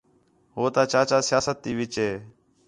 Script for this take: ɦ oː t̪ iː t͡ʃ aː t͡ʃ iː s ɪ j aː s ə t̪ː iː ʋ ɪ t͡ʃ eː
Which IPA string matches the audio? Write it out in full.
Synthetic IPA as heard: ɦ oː t̪ aː t͡ʃ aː t͡ʃ aː s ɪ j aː s ə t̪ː iː ʋ ɪ t͡ʃ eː